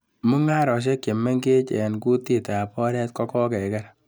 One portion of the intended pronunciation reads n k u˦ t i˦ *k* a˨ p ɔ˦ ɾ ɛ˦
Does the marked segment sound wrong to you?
yes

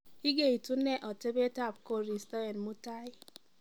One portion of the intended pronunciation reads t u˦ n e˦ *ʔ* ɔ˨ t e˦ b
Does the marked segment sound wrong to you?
no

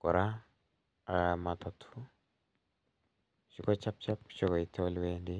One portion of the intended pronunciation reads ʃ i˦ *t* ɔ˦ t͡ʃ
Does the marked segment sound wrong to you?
yes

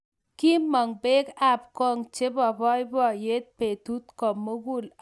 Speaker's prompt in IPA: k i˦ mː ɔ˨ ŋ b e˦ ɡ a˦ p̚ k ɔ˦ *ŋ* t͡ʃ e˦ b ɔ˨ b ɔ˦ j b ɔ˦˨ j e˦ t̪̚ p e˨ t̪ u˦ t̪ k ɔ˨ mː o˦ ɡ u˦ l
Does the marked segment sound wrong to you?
no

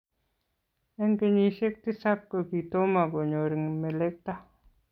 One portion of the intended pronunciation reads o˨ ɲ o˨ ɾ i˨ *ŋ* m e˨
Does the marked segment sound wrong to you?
no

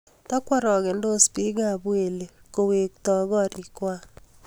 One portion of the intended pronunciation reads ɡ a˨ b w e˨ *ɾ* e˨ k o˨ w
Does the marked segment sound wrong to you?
yes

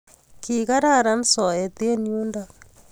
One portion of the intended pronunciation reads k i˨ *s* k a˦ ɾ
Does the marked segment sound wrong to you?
yes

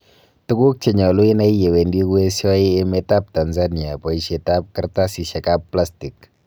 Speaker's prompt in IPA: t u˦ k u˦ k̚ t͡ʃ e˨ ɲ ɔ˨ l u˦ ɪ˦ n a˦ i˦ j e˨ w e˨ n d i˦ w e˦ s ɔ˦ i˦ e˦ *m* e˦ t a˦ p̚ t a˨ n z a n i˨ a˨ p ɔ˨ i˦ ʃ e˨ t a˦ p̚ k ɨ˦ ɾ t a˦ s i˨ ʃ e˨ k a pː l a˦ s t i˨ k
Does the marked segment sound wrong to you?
no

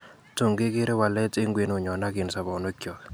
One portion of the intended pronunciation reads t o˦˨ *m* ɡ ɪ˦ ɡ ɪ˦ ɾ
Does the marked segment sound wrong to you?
yes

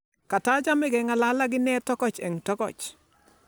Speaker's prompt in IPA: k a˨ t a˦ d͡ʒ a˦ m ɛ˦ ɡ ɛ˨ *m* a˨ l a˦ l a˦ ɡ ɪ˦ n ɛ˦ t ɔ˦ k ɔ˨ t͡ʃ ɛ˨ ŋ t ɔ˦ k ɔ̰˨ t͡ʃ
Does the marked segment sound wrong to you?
yes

